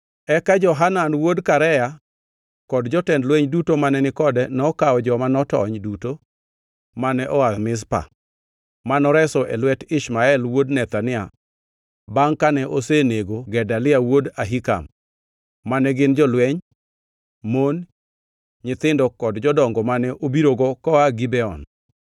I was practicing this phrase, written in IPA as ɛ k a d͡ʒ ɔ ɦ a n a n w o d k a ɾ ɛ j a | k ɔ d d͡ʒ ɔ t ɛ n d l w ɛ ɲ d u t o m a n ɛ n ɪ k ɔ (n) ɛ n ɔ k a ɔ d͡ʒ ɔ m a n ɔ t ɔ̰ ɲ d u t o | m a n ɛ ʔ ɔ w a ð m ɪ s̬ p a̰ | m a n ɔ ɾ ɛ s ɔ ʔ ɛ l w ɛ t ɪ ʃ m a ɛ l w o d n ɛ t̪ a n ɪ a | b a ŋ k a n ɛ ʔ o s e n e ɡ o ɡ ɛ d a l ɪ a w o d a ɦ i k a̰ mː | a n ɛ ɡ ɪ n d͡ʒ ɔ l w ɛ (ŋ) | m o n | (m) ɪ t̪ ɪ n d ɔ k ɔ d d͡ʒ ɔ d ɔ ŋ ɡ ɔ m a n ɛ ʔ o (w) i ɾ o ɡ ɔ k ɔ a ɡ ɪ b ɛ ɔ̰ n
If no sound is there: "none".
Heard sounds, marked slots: d, ɲ, ɲ, b

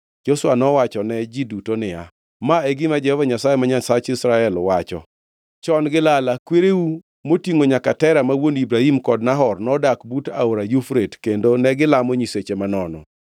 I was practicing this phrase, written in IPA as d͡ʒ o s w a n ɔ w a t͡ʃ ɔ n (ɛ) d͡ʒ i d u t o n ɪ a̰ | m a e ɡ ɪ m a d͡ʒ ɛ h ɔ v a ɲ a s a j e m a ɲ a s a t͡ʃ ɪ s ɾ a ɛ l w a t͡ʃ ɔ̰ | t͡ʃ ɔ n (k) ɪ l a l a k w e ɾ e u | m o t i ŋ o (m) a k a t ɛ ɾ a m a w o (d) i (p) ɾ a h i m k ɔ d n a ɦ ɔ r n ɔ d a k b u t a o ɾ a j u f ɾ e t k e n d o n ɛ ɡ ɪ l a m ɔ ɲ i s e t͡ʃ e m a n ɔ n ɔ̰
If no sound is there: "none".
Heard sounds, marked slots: ɛ, ɡ, ɲ, n, b

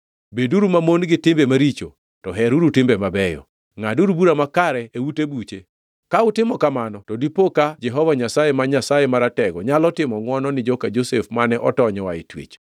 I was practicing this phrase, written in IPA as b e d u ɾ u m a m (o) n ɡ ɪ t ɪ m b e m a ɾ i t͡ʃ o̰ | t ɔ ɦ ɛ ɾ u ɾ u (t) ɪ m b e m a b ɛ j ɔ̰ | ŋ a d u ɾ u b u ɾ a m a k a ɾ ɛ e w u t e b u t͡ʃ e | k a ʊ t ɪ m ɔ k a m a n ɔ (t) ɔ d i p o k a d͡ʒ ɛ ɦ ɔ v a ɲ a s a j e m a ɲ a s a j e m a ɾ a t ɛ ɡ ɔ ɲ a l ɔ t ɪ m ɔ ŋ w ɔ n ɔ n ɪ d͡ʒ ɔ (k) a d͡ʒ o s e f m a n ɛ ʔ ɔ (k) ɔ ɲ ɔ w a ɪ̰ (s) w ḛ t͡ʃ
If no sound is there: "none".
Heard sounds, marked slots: o, t, t, k, t, t

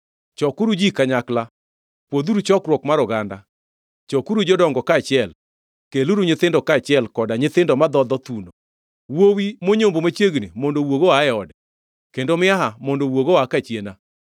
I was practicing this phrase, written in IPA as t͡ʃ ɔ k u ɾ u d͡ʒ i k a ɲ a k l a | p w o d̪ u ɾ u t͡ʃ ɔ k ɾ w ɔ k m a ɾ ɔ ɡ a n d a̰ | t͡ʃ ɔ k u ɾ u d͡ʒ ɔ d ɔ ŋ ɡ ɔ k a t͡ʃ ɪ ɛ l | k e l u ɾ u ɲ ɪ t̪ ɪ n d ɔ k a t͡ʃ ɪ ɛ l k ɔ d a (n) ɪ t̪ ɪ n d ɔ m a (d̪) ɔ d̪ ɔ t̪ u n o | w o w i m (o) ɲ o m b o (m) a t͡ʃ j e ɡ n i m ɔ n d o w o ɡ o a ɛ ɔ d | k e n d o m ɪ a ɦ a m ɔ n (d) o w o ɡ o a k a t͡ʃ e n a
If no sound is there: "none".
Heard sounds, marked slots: ɲ, d̪, o, m, d

